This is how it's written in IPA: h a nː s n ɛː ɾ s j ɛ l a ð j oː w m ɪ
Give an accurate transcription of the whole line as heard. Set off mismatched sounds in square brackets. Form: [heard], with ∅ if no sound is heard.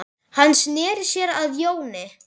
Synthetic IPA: h a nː s n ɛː ɾ s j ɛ [ɾ] a ð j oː w [n] ɪ